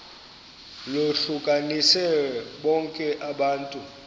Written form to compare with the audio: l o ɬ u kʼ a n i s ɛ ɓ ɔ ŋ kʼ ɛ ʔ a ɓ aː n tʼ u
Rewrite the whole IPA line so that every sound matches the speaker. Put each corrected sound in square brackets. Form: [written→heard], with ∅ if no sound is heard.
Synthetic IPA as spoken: l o ɬ u kʼ a n i s ɛ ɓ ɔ ŋ kʼ ɛ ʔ a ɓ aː n tʼ u